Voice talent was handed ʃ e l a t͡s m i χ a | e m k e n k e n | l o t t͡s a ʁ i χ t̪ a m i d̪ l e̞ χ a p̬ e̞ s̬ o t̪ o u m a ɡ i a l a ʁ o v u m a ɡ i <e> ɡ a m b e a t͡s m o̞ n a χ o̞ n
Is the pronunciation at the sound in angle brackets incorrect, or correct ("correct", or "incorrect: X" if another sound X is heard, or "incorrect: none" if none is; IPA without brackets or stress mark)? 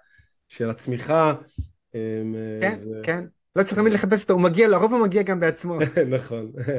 incorrect: a